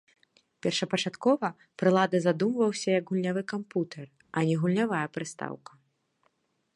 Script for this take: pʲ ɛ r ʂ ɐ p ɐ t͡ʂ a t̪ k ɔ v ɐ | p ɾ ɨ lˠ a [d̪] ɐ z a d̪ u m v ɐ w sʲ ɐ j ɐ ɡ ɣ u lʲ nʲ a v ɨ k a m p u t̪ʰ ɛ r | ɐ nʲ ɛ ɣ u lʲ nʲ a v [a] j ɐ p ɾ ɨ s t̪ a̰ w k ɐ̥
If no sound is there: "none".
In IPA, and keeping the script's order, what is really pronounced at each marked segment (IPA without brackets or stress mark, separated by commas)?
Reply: d̪, a